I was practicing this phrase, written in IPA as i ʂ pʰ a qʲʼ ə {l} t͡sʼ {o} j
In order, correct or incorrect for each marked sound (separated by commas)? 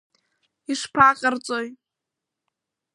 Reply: incorrect, correct